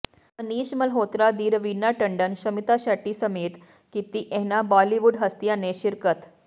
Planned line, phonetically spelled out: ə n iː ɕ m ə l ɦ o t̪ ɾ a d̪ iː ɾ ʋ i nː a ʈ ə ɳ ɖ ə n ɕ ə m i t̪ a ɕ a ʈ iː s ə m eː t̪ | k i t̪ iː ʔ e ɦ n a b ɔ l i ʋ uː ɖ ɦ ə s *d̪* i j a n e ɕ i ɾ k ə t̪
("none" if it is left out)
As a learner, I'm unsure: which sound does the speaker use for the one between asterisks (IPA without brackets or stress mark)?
t̪